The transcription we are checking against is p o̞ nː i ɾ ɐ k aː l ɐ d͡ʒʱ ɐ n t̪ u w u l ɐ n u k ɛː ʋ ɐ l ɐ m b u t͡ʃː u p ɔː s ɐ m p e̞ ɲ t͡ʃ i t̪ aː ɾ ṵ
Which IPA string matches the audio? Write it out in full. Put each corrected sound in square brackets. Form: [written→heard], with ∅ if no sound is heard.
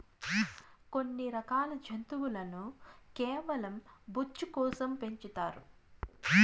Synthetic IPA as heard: [p→k] o̞ nː i ɾ ɐ k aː l ɐ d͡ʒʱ ɐ n t̪ u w u l ɐ n u k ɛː ʋ ɐ l ɐ m b u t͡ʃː u [p→k] ɔː s ɐ m p e̞ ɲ t͡ʃ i t̪ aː ɾ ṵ